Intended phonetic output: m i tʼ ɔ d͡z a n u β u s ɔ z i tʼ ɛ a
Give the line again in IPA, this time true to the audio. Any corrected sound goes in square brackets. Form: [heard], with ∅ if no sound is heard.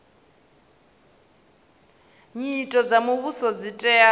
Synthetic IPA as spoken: [ɲ] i tʼ ɔ d͡z a [m] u β u s ɔ [d͡z] i tʼ ɛ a

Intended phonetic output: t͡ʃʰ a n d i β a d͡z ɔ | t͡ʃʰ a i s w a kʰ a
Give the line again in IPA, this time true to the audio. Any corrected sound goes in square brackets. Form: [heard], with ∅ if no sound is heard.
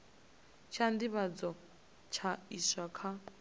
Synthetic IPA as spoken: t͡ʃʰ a n d i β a d͡z ɔ | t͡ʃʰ a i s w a kʰ a

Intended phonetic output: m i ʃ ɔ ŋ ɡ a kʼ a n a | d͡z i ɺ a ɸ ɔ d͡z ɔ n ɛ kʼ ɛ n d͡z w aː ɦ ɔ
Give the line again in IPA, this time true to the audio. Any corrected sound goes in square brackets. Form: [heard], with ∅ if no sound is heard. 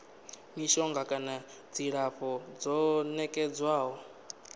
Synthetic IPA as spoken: m i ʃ ɔ ŋ ɡ a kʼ a n a | d͡z i ɺ a ɸ ɔ d͡z ɔ n ɛ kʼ ɛ [∅] d͡z w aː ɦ ɔ

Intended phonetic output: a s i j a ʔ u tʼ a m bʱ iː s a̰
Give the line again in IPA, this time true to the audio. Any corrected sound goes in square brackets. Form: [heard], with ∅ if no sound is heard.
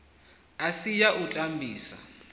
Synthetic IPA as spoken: a s i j a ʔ u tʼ a m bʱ iː s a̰

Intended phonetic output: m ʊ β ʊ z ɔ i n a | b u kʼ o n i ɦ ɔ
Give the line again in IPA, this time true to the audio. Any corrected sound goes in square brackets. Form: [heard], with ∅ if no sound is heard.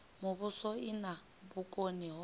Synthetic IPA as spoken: m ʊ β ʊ [s] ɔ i n a | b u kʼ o n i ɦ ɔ

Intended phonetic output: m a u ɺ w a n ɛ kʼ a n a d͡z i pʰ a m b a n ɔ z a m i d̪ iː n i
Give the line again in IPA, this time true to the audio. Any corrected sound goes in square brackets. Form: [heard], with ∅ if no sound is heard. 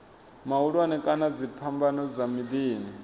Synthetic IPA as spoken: m a u ɺ w a n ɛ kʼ a n a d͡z i pʰ a m b a n ɔ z a m i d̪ iː n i

